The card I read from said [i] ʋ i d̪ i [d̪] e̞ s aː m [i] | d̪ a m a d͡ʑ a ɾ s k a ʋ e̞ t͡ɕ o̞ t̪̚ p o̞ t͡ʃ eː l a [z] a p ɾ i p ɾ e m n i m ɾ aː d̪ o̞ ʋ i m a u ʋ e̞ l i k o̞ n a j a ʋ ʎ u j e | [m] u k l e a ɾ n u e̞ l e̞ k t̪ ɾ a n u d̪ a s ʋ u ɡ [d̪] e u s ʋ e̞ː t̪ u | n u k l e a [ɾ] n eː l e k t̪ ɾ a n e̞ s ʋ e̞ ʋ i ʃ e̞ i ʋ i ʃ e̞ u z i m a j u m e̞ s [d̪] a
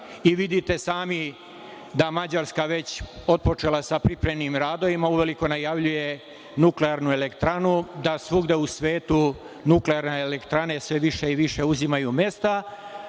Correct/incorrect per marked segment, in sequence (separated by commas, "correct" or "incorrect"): correct, incorrect, correct, incorrect, incorrect, correct, correct, incorrect